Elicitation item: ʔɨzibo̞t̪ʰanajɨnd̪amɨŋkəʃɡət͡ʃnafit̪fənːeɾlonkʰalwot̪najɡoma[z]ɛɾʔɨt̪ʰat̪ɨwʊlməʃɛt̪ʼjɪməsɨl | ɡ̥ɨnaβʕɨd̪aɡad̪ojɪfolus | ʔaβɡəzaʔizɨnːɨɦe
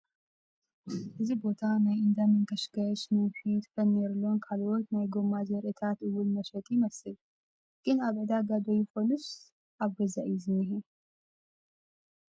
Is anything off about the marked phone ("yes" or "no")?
no